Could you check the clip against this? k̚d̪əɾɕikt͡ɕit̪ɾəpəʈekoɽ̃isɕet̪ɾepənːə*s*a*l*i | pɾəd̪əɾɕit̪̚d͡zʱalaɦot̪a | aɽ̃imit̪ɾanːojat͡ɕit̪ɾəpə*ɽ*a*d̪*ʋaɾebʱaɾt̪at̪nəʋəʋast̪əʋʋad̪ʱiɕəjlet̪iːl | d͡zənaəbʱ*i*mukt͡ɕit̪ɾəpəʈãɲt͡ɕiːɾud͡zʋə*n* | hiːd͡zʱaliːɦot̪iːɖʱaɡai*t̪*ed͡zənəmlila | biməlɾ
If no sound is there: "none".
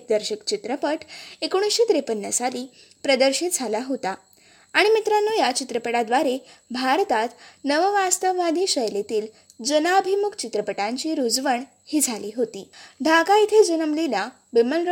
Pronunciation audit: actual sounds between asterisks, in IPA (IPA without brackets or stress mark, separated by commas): s, l, ɽ, d̪, i, ɳ, t̪ʰ